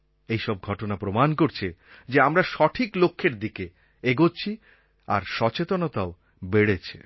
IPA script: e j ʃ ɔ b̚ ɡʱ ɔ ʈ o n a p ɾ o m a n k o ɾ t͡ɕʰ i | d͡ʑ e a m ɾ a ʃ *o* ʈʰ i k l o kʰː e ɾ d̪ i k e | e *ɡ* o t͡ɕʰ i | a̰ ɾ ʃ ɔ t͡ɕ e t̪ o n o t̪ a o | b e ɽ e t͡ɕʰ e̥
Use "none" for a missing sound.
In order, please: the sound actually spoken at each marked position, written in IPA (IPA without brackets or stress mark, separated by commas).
ɔ, ɡ